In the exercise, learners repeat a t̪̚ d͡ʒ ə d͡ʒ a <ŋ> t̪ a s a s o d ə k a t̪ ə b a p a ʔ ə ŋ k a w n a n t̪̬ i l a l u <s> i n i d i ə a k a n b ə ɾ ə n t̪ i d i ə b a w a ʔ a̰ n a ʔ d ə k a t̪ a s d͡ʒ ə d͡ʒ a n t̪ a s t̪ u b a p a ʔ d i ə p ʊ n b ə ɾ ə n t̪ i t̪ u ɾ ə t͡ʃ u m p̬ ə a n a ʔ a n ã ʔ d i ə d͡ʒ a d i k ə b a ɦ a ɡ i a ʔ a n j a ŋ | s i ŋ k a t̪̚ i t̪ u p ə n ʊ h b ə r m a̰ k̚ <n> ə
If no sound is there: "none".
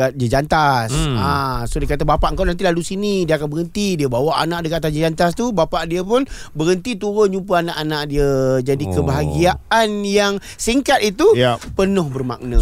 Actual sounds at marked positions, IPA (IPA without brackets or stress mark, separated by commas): n, s, n